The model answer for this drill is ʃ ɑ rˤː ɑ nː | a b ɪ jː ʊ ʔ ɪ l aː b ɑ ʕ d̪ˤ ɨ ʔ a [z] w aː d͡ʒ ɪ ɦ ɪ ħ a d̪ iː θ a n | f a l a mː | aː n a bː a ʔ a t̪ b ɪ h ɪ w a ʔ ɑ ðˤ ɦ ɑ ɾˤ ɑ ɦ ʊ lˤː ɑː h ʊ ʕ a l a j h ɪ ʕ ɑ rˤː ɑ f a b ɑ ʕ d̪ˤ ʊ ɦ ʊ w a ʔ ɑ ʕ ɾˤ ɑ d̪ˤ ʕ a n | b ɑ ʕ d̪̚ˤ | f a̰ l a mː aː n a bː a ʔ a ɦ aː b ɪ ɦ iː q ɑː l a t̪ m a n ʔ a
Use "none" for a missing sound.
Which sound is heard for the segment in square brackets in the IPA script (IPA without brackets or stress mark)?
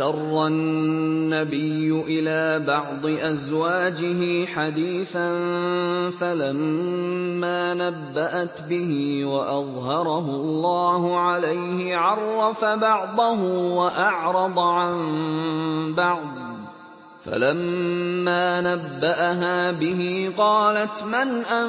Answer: z